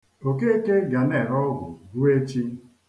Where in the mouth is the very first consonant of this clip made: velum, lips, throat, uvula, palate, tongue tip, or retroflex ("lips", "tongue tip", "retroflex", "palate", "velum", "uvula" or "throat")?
velum